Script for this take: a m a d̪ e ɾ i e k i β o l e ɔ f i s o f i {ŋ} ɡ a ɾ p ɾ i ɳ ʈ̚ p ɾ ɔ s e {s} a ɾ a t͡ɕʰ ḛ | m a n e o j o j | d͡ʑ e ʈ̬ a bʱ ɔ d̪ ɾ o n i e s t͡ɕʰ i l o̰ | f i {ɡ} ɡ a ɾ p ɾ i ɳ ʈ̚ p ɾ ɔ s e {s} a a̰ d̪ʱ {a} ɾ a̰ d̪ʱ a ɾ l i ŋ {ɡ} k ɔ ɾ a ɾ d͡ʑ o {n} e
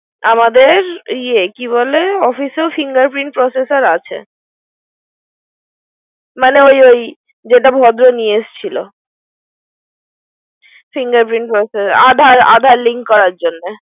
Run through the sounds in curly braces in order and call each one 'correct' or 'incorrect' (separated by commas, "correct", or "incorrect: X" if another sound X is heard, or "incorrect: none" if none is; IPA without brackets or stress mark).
correct, correct, incorrect: ŋ, correct, correct, incorrect: k, incorrect: nː